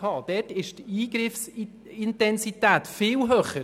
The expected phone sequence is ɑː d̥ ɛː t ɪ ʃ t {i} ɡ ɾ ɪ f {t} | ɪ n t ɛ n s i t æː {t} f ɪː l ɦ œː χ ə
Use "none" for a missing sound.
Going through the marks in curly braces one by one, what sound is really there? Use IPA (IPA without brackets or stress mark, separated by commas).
iː, s, t